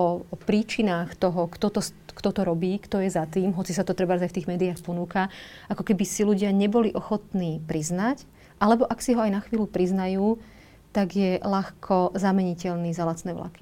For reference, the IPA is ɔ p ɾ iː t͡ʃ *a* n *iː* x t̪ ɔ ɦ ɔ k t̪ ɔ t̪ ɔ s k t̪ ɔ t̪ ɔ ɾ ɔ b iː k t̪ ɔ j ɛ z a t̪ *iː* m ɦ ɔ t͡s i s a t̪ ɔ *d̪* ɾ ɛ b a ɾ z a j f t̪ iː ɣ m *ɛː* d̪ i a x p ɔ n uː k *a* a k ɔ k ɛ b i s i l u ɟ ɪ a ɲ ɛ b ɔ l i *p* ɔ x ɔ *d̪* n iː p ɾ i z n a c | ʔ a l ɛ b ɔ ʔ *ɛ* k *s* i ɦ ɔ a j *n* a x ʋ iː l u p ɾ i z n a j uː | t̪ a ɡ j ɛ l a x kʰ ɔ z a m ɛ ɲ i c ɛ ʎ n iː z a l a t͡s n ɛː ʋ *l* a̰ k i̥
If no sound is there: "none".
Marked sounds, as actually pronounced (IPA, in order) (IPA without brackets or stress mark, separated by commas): i, aː, iː, t̪, ɛː, a, ʔ, t̪, a, s, n, l